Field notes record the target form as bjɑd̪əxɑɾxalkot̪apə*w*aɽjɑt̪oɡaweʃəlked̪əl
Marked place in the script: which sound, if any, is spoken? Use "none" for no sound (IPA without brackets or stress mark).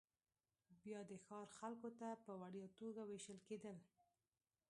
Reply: w